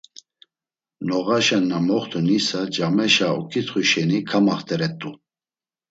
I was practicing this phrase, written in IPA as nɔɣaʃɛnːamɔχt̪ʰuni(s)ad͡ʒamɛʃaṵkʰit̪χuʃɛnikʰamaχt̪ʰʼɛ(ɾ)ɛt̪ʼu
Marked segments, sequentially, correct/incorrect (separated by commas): correct, correct